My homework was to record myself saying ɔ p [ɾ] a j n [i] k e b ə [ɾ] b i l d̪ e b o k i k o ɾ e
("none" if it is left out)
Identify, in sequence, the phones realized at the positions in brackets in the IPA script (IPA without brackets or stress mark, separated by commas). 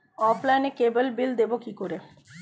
l, e, l